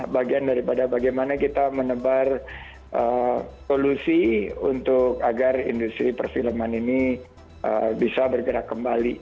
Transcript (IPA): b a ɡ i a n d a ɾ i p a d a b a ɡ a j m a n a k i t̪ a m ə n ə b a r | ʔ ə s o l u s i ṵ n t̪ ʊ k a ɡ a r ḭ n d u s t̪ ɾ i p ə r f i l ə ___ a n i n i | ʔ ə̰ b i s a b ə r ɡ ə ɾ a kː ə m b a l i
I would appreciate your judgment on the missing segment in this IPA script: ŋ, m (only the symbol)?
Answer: m